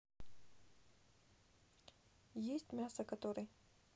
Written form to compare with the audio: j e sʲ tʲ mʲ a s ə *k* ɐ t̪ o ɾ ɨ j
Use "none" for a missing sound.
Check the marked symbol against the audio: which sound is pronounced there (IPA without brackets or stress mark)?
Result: k